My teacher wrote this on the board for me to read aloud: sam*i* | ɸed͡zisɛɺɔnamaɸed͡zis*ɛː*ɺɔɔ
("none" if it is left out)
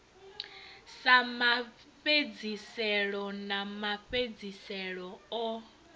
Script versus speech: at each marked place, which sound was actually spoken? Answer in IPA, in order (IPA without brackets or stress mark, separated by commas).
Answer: a, ɛ